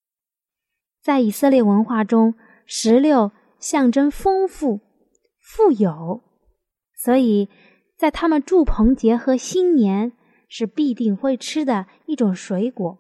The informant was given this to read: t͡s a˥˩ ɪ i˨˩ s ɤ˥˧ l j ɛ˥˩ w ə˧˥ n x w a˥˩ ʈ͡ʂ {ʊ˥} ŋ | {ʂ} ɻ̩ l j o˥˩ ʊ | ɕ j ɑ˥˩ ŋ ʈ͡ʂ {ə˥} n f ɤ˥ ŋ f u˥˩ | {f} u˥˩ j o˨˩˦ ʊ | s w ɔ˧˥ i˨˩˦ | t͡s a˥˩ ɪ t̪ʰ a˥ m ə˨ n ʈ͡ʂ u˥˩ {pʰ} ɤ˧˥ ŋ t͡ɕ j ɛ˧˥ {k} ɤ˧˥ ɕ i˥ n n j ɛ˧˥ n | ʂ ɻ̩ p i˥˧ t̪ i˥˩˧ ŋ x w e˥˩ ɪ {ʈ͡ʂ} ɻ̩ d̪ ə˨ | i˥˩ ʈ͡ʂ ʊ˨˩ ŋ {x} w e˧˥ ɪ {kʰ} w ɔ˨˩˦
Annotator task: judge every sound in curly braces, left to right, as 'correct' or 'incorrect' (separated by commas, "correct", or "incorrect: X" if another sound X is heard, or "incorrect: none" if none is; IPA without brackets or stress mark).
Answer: correct, correct, correct, correct, correct, incorrect: x, incorrect: ʈ͡ʂʰ, incorrect: ʂ, incorrect: k